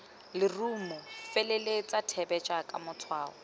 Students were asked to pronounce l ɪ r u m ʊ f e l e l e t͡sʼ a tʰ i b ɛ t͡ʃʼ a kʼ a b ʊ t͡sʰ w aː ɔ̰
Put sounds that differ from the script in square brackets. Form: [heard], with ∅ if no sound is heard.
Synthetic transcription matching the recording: l ɪ r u m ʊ f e l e l e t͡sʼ a tʰ [ɛ] b ɛ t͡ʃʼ a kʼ a [m] ʊ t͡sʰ w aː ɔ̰